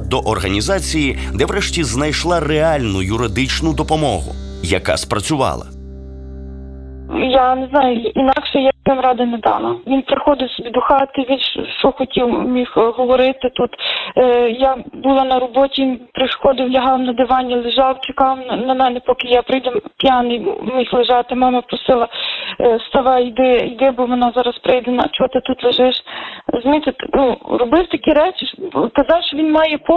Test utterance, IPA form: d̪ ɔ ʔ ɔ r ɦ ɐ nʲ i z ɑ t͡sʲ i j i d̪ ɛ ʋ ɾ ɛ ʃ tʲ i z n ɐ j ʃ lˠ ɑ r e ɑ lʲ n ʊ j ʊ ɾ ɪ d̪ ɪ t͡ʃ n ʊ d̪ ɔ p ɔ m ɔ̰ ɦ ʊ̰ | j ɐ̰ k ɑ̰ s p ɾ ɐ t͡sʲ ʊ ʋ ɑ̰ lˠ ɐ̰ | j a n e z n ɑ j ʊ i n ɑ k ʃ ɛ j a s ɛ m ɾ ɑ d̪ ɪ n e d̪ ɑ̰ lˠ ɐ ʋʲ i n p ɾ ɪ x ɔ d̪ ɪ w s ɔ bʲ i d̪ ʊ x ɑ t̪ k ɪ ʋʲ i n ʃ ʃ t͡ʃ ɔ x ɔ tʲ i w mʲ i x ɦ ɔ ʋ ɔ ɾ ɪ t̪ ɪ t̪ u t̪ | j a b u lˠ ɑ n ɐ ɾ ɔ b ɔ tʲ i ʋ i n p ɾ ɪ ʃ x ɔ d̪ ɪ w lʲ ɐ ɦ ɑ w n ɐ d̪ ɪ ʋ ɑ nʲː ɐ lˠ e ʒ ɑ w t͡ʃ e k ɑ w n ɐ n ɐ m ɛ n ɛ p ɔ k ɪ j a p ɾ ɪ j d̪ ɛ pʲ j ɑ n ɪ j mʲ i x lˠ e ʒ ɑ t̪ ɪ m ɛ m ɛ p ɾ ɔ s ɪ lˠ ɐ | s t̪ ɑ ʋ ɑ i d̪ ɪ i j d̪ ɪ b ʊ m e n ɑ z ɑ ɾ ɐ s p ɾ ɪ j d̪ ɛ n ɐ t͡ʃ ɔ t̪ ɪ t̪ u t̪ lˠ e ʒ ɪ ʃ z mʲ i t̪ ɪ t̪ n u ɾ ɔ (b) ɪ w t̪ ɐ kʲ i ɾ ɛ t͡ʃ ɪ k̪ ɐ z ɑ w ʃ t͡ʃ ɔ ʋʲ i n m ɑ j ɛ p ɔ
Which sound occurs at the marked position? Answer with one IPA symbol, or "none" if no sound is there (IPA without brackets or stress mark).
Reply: b